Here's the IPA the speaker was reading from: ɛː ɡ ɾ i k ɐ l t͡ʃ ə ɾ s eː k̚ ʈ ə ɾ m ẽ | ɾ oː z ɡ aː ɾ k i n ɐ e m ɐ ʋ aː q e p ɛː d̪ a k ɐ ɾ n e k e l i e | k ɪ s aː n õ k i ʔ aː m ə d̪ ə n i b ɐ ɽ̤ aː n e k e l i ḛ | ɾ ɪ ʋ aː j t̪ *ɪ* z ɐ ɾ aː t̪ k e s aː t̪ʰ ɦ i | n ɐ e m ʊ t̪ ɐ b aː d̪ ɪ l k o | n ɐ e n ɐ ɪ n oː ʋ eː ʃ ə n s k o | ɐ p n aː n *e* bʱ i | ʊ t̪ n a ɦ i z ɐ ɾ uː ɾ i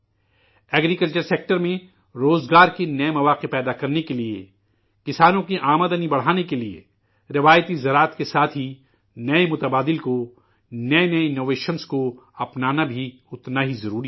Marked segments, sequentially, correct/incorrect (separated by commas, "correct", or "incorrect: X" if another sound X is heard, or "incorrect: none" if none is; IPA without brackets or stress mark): incorrect: i, incorrect: a